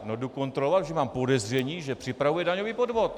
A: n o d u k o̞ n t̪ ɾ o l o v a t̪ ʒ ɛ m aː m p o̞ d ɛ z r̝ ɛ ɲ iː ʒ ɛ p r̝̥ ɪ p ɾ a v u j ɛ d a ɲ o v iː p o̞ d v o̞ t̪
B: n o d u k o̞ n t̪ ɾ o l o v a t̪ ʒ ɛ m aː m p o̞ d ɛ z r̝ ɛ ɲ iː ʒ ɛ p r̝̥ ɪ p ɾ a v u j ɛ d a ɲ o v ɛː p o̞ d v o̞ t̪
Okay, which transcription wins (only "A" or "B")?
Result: A